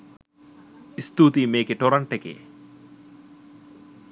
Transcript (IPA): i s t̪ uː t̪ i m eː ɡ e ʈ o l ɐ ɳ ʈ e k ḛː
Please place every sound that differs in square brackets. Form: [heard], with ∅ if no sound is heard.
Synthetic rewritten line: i s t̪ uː t̪ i m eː [k] e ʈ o [ɾ] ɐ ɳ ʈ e k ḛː